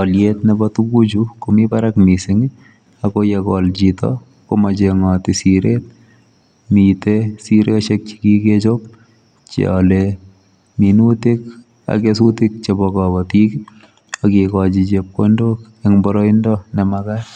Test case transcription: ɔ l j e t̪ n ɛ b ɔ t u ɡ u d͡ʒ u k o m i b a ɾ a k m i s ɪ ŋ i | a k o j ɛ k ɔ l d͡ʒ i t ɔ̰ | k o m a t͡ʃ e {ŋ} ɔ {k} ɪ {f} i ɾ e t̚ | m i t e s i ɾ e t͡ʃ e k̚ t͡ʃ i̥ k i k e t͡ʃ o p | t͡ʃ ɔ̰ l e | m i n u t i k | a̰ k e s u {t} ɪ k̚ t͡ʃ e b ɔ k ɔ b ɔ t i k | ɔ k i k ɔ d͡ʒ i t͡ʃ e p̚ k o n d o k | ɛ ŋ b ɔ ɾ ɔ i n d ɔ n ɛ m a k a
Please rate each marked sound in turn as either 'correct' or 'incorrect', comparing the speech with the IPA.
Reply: correct, incorrect, incorrect, correct

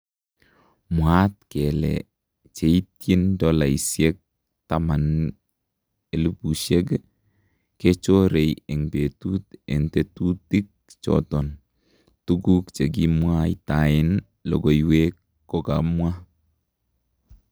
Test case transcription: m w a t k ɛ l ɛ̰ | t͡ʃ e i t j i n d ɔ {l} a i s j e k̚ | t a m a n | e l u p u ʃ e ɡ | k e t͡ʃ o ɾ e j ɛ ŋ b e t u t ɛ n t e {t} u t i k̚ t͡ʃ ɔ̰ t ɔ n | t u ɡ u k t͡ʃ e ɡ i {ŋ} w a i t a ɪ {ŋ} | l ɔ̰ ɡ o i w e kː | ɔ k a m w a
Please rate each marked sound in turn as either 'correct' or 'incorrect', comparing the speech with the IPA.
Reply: correct, correct, incorrect, incorrect

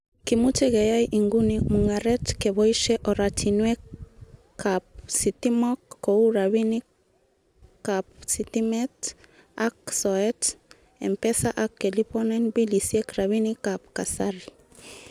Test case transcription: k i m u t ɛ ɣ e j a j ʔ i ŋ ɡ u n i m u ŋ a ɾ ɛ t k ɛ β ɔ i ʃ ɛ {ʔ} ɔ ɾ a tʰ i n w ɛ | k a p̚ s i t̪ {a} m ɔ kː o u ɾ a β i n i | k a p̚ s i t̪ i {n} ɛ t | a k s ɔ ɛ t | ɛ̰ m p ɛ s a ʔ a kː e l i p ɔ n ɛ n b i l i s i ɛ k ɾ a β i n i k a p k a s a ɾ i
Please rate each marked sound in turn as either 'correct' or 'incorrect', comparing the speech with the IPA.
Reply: correct, incorrect, incorrect

